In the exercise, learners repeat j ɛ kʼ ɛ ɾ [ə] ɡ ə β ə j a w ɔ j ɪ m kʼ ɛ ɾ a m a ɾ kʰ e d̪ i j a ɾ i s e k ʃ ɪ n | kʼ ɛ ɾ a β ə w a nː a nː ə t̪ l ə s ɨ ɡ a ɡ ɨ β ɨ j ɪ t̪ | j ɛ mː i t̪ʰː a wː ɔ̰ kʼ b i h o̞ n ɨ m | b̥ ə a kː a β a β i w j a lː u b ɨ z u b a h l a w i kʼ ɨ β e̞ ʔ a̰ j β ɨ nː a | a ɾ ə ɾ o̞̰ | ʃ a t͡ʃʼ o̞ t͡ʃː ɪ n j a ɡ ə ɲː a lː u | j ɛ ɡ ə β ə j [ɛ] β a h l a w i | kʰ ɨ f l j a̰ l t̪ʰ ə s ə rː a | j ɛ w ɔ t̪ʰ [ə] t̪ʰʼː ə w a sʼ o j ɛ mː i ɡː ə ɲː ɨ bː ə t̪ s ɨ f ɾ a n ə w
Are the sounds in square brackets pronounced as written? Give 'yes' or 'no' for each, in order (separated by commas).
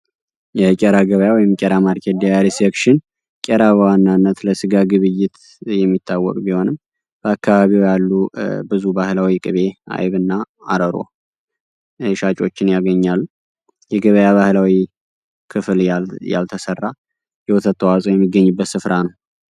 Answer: no, no, yes